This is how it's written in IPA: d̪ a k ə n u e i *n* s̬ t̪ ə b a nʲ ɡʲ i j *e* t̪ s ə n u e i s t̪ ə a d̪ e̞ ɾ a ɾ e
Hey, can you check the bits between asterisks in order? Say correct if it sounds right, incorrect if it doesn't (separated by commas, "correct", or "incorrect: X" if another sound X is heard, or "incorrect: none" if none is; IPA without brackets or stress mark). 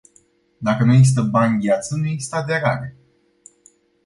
incorrect: none, incorrect: a